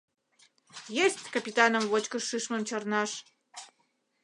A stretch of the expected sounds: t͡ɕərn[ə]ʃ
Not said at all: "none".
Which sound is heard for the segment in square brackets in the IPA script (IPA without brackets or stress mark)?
ɑ